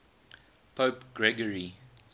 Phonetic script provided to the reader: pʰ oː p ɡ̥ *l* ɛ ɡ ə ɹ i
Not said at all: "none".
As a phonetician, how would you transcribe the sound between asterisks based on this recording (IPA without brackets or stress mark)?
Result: ɹ